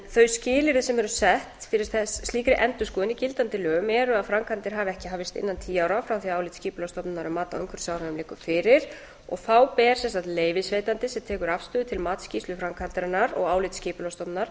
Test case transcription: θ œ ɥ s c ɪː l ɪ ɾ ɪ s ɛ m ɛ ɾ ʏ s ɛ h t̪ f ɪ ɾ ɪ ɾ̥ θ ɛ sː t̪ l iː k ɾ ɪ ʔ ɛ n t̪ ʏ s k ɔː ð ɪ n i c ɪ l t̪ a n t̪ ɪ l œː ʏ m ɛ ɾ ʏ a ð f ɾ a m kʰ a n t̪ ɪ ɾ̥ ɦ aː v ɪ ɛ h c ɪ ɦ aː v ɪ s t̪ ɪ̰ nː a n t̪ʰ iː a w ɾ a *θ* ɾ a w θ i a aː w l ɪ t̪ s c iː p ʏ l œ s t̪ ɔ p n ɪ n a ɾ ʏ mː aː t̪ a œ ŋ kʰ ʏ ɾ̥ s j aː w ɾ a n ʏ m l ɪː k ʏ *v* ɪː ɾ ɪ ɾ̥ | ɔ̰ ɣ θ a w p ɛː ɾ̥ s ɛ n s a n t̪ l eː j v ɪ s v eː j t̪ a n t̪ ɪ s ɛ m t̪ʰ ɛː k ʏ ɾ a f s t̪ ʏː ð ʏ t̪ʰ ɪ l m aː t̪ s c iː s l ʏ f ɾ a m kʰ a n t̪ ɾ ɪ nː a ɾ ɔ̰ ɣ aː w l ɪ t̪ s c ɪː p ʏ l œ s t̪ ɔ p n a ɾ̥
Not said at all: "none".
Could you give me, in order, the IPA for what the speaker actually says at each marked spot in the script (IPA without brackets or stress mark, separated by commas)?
f, f